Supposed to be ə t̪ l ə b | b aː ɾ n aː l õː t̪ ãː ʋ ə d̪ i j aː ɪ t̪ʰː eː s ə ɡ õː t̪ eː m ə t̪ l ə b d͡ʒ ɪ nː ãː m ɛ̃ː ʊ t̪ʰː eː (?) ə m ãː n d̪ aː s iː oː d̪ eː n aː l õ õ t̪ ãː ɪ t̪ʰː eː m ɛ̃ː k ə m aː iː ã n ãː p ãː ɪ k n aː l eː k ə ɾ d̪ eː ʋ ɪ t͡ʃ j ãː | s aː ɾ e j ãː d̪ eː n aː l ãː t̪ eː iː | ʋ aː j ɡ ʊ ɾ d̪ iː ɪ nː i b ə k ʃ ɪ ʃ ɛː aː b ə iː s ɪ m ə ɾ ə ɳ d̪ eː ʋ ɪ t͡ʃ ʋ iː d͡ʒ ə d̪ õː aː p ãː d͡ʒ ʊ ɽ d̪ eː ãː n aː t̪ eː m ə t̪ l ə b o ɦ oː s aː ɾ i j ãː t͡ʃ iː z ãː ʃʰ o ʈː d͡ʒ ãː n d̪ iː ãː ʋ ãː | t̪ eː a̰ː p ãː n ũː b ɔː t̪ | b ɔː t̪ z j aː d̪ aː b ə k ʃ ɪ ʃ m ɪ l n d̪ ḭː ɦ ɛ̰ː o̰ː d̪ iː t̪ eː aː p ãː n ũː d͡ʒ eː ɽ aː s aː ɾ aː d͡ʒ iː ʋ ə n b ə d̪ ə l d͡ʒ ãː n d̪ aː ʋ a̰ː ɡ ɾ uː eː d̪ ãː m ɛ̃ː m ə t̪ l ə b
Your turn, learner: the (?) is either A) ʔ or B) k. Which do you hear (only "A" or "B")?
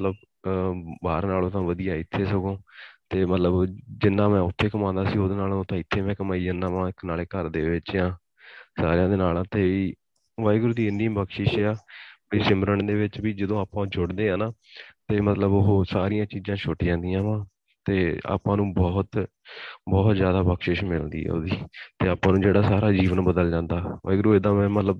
B